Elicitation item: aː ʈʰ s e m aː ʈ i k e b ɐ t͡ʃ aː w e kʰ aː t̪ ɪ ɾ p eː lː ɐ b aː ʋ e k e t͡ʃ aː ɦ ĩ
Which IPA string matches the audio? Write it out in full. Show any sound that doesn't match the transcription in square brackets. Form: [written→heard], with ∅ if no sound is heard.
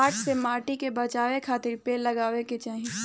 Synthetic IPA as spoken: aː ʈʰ s e m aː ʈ i k e b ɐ t͡ʃ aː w e kʰ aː t̪ ɪ ɾ p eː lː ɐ [b→ɡ] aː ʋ e k e t͡ʃ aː ɦ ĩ